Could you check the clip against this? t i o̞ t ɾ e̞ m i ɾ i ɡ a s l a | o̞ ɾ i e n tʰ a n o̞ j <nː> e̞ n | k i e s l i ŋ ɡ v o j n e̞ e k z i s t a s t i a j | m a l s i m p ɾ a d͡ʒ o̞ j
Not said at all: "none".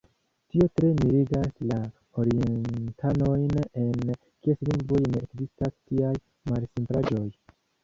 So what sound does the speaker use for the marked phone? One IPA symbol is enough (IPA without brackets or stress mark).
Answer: n